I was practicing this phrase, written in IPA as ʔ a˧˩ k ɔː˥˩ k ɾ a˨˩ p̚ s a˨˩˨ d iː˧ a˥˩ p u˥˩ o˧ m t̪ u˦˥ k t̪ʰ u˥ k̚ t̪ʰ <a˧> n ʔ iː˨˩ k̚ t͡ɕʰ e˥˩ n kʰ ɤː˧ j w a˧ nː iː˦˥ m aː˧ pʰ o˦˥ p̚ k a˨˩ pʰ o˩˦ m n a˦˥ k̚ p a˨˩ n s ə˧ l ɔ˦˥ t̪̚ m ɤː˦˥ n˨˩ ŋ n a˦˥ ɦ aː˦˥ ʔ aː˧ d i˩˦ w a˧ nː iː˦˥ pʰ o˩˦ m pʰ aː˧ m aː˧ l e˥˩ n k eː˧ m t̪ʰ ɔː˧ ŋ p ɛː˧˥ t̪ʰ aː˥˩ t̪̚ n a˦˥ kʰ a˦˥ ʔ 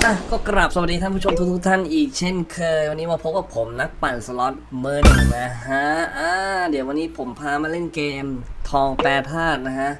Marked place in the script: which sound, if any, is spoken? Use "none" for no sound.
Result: a˥˩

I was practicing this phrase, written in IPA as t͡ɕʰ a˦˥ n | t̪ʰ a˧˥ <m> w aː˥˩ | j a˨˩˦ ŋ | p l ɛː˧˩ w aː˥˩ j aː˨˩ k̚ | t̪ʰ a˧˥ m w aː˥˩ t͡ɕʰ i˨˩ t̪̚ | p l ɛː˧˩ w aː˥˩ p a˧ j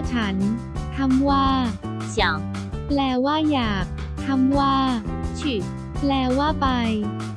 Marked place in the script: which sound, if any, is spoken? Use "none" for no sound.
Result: m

